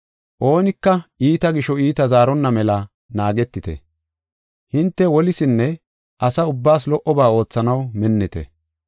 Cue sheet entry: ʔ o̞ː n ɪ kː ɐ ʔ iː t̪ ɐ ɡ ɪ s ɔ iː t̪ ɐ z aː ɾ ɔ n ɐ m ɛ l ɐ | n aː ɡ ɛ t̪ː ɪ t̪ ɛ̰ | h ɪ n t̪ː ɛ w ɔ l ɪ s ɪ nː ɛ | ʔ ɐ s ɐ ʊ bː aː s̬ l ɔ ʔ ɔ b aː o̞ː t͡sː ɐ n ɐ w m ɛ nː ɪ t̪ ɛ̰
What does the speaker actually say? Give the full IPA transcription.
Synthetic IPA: ʔ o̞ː n ɪ kː ɐ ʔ iː t̪ ɐ ɡ ɪ ʃ ɔ iː t̪ ɐ z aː ɾ ɔ nː ɐ m ɛ l ɐ | n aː ɡ ɛ t̪ː ɪ t̪ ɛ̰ | h ɪ n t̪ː ɛ w ɔ l ɪ s ɪ nː ɛ | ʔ ɐ s ɐ ʊ bː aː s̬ l ɔ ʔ ɔ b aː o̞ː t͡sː ɐ n ɐ w m ɛ nː ɪ t̪ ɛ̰